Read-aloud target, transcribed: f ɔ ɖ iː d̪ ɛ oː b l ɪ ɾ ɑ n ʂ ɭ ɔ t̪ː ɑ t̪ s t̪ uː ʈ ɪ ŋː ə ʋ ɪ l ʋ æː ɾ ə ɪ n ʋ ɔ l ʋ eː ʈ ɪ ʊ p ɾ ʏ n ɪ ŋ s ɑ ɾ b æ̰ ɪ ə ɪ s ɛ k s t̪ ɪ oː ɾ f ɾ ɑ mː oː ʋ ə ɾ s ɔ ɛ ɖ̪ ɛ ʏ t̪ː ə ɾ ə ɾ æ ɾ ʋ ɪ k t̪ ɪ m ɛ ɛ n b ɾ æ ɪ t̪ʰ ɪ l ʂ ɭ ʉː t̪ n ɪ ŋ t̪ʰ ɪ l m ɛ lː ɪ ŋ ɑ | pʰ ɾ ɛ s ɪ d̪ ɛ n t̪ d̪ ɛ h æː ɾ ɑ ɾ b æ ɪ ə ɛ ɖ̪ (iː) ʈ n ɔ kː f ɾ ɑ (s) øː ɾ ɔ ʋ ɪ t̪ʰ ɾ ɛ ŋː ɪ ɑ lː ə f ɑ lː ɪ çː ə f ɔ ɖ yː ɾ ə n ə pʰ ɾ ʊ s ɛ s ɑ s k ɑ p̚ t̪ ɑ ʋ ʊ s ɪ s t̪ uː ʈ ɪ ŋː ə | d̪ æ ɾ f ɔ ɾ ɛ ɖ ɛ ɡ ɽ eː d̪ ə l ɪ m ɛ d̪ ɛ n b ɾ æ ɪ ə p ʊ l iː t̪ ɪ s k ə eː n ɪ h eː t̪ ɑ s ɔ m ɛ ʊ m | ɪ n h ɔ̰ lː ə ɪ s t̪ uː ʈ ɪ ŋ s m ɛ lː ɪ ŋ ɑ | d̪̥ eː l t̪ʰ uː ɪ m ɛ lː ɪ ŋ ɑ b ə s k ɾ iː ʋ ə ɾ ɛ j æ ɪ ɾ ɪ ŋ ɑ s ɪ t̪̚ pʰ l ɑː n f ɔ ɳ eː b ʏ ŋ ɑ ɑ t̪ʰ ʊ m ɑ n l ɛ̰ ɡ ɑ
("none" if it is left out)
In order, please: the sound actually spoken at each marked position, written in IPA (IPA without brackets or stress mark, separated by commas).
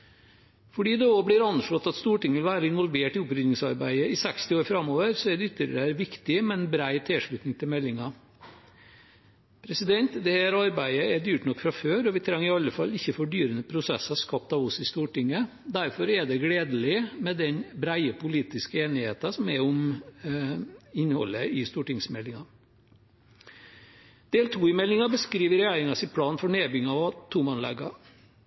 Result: yː, f